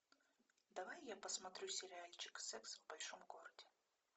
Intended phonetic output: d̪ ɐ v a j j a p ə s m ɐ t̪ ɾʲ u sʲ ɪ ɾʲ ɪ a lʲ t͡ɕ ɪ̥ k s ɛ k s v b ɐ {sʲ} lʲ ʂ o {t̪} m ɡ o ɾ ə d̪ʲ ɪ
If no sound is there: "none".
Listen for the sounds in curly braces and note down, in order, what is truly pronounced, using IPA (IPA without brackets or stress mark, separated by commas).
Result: none, none